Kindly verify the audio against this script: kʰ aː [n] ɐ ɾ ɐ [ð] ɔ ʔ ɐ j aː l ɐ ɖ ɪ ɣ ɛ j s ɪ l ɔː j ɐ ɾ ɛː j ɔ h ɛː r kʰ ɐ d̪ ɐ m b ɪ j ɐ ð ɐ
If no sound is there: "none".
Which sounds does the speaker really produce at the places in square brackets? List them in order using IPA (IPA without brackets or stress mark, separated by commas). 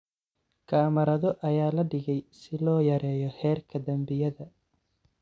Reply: m, ð